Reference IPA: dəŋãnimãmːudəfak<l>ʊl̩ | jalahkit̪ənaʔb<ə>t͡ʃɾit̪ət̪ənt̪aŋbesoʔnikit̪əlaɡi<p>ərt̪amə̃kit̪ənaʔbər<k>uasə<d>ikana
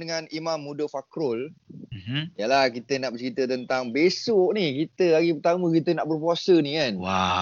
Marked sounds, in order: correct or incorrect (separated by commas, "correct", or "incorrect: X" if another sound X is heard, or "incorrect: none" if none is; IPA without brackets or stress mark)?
incorrect: ɾ, correct, correct, incorrect: p, incorrect: n